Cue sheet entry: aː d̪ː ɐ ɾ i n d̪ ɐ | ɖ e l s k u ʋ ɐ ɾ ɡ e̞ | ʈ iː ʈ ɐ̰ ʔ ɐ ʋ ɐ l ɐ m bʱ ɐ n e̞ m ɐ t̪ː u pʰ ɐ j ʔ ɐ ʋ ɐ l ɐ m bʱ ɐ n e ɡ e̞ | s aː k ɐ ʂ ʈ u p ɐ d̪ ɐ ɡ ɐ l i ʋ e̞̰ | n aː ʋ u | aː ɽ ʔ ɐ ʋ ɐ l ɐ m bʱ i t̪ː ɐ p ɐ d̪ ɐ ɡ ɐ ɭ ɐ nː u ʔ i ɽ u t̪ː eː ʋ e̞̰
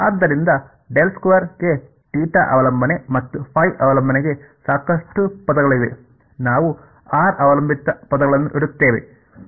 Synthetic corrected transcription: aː d̪ː ɐ ɾ i n d̪ ɐ | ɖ e l s k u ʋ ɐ ɾ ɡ e̞ | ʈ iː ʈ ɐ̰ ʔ ɐ ʋ ɐ l ɐ m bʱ ɐ n e̞ m ɐ t̪ː u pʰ ɐ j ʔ ɐ ʋ ɐ l ɐ m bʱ ɐ n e ɡ e̞ | s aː k ɐ ʂ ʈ u p ɐ d̪ ɐ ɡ ɐ ɭ i ʋ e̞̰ | n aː ʋ u | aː ɾ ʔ ɐ ʋ ɐ l ɐ m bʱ i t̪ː ɐ p ɐ d̪ ɐ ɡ ɐ ɭ ɐ nː u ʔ i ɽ u t̪ː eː ʋ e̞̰